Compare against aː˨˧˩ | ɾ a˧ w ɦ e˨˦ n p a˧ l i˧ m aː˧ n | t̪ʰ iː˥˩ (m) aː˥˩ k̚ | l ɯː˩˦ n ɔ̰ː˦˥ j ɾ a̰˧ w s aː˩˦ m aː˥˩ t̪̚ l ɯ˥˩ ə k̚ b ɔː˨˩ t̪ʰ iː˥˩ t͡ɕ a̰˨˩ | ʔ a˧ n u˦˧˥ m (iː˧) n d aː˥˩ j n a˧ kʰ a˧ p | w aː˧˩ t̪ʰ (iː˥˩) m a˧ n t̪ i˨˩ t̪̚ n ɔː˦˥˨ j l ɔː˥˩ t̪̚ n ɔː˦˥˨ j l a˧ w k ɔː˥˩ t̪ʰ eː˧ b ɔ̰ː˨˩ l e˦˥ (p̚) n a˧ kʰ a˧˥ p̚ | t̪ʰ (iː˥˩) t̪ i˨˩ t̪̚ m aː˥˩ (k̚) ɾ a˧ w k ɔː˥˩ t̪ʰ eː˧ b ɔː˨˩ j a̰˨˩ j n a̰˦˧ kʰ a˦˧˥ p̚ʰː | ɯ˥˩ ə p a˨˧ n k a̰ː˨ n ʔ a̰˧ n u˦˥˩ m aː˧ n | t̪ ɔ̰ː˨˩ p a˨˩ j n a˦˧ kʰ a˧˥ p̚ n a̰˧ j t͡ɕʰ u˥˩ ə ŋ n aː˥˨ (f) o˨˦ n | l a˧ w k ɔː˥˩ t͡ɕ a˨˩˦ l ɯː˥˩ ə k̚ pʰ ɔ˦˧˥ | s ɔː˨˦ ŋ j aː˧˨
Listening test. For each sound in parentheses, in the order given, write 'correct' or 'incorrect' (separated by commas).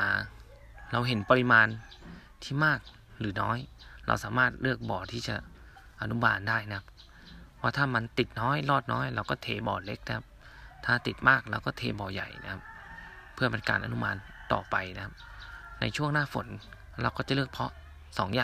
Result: correct, incorrect, incorrect, incorrect, incorrect, correct, correct